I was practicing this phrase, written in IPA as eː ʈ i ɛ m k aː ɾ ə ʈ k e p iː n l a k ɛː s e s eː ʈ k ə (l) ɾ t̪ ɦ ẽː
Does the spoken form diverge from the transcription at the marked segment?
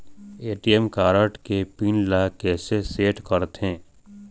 yes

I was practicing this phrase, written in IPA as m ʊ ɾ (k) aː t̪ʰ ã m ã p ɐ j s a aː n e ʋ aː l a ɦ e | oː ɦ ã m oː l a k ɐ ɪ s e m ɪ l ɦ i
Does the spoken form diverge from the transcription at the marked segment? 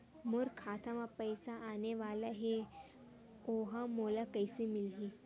yes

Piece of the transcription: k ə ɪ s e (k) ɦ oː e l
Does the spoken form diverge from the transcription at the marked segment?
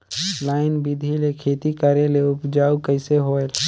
yes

